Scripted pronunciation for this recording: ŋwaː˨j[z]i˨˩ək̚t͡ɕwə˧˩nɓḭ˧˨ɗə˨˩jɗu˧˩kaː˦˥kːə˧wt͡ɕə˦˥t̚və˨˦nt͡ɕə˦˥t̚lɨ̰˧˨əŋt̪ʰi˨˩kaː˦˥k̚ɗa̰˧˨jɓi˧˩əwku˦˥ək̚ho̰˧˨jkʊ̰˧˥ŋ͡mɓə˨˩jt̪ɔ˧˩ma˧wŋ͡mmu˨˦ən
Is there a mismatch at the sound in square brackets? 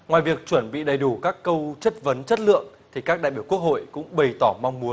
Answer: yes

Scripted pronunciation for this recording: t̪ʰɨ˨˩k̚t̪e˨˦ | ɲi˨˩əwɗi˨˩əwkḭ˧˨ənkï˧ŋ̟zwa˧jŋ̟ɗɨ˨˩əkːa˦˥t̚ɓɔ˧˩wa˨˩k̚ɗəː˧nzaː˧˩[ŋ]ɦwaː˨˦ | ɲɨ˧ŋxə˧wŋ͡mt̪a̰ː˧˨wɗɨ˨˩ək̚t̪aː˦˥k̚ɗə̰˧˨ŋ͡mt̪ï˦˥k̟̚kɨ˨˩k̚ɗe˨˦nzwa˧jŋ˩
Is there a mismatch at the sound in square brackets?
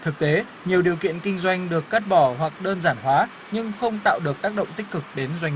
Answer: yes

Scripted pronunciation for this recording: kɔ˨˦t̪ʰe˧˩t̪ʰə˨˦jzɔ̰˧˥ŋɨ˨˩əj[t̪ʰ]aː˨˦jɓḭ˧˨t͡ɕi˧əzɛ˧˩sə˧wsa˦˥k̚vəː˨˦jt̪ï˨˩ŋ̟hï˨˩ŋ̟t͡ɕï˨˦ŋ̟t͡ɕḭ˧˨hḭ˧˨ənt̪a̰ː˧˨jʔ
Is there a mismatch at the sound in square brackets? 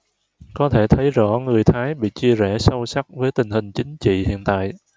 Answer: no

